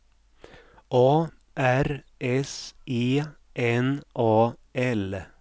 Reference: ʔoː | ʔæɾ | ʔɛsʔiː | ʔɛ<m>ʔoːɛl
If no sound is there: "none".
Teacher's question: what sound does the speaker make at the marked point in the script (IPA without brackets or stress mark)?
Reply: n